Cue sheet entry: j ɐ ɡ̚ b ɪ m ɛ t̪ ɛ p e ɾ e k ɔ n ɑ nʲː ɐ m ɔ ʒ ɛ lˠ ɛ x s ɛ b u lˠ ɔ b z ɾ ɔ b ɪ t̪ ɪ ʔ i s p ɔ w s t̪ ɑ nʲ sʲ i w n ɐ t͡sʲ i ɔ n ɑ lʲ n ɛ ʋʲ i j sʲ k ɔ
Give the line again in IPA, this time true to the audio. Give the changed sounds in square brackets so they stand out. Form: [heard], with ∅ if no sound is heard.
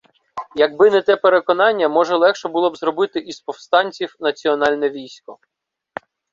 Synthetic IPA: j ɐ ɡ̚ b ɪ [n] ɛ t̪ ɛ p e ɾ e k ɔ n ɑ nʲː ɐ m ɔ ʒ ɛ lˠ ɛ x [ʃ] ɛ b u lˠ ɔ b z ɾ ɔ b ɪ t̪ ɪ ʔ i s p ɔ w s t̪ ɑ nʲ [t͡sʲ] i w n ɐ t͡sʲ i ɔ n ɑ lʲ n ɛ ʋʲ i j sʲ k ɔ